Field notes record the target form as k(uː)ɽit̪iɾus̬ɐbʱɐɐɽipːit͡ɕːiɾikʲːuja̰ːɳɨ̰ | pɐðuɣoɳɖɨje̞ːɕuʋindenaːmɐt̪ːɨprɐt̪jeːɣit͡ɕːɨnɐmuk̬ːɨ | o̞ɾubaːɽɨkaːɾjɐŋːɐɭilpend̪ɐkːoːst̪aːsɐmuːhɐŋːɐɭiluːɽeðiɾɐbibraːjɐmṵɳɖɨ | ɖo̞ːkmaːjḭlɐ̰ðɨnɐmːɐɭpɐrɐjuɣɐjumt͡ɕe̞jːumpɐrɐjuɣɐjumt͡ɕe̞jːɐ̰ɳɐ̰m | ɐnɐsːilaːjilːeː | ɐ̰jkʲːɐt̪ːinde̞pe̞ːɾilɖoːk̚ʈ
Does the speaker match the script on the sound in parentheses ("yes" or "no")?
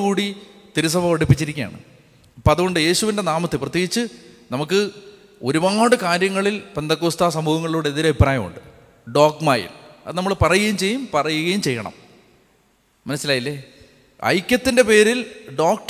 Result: yes